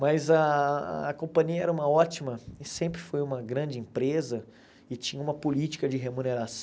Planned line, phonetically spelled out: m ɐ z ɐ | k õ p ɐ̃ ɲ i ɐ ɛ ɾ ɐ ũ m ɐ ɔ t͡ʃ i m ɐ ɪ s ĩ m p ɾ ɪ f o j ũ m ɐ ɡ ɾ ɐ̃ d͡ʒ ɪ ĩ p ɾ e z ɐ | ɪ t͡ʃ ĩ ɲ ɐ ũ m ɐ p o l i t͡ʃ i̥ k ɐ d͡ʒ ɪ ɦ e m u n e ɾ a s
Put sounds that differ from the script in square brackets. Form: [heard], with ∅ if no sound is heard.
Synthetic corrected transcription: m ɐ z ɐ | k õ p ɐ̃ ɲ i ɐ ɛ ɾ ɐ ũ m ɐ ɔ t͡ʃ i m ɐ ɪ s [ẽ] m p ɾ ɪ f o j ũ m ɐ ɡ ɾ ɐ̃ d͡ʒ ɪ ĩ p ɾ e z ɐ | ɪ t͡ʃ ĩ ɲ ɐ ũ m ɐ p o l i t͡ʃ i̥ k ɐ d͡ʒ ɪ ɦ e m u n e ɾ a s